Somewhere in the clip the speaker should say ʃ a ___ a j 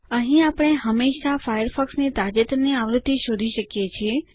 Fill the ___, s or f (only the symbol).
f